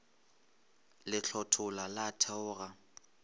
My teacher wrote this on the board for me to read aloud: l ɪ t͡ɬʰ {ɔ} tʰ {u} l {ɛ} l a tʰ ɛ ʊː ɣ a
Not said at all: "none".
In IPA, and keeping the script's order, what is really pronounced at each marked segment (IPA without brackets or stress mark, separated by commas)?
ɔ, ʊ, a